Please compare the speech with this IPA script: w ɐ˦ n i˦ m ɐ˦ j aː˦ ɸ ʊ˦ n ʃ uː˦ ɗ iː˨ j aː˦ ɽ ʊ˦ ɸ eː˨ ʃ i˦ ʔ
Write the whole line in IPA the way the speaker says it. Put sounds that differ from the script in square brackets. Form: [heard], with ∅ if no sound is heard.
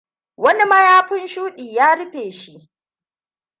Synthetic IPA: w ɐ˦ n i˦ m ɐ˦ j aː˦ ɸ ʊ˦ n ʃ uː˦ ɗ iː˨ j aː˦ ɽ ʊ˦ ɸ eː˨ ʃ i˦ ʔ